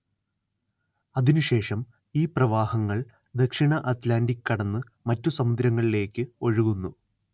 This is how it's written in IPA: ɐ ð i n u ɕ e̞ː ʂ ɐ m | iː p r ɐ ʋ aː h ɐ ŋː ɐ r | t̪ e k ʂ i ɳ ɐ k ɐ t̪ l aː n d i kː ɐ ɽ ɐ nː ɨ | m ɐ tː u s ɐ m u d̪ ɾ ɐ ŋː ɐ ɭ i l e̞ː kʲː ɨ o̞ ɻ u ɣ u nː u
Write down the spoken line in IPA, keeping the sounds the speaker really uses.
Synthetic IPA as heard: ɐ ð i n u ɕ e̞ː ʂ ɐ m | iː p r ɐ ʋ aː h ɐ ŋː ɐ ɭ | d̪ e k ʂ i ɳ ɐ ʔ ɐ t̪ l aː n d i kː ɐ ɽ ɐ nː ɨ | m ɐ tː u s ɐ m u d̪ ɾ ɐ ŋː ɐ ɭ i l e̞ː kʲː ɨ o̞ ɻ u ɣ u nː u